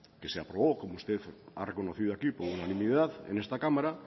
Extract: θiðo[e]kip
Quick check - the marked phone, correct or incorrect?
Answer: incorrect